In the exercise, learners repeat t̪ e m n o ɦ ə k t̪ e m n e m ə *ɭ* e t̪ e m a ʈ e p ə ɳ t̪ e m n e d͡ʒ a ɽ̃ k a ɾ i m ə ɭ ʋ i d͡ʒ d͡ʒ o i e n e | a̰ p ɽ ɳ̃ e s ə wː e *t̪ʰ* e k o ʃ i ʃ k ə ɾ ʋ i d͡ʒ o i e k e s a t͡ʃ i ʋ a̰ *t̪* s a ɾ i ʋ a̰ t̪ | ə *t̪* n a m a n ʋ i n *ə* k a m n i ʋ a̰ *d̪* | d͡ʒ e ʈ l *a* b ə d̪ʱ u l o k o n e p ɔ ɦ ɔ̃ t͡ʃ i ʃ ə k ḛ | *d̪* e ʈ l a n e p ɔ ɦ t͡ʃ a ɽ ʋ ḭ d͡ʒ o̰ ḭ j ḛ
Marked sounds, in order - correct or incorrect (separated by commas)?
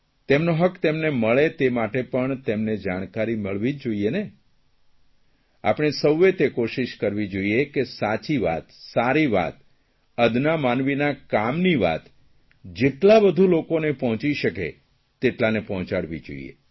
correct, incorrect, correct, incorrect, incorrect, incorrect, correct, incorrect